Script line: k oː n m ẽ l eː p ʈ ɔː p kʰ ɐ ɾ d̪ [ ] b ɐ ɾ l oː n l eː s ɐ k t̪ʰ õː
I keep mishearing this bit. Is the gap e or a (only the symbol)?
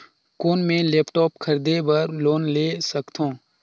e